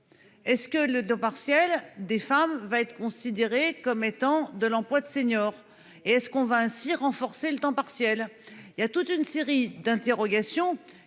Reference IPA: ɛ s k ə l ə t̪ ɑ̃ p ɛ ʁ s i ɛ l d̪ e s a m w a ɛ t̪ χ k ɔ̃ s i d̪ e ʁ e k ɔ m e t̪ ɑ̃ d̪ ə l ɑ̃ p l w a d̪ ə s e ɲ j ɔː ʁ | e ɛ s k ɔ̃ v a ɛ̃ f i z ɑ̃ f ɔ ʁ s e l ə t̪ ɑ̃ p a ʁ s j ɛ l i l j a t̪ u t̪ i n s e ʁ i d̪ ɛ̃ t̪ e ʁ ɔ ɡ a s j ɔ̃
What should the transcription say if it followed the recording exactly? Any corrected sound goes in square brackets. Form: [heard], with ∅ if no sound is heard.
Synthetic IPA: ɛ s k ə l ə t̪ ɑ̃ p [a] ʁ s [j] ɛ l d̪ e [f] a m [v] a ɛ t̪ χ k ɔ̃ s i d̪ e ʁ e k ɔ m e t̪ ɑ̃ d̪ ə l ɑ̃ p l w a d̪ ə s e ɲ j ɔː ʁ | e ɛ s k ɔ̃ v a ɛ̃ [s] i [ʁ] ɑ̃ f ɔ ʁ s e l ə t̪ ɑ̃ p a ʁ s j ɛ l i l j a t̪ u t̪ [y] n s e ʁ i d̪ ɛ̃ t̪ e ʁ ɔ ɡ a s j ɔ̃